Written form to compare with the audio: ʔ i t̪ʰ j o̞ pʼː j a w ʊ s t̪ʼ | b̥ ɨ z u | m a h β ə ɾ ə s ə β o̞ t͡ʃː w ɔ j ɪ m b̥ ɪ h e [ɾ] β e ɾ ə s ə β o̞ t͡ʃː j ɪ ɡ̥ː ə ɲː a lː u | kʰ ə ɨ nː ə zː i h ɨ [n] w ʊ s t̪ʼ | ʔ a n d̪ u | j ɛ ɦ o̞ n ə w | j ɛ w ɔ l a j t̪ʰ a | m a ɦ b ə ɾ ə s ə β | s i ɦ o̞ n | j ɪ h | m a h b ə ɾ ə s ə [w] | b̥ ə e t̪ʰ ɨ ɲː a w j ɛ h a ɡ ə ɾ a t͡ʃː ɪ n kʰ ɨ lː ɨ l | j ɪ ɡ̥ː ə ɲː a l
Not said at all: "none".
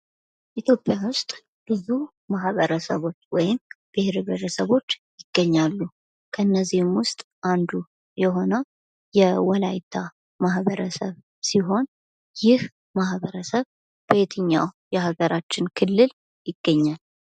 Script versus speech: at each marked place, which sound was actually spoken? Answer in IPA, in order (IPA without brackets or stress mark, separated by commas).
ɾ, m, β